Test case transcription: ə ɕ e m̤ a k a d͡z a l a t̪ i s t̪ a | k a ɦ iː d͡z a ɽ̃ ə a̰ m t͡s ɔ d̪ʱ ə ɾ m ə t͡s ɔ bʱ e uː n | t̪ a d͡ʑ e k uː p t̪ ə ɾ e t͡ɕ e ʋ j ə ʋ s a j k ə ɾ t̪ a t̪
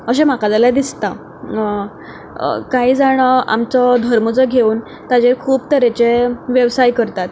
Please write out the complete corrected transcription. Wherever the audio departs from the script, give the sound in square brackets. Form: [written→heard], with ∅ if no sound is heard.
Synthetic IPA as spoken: ə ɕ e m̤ a k a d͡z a l a [t̪→d̪] i s t̪ a | k a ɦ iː d͡z a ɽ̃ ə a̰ m t͡s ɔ d̪ʱ ə ɾ m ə t͡s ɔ [bʱ→ɡʱ] e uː n | t̪ a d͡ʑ e [k→kʰ] uː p t̪ ə ɾ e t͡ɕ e ʋ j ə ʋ s a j k ə ɾ t̪ a t̪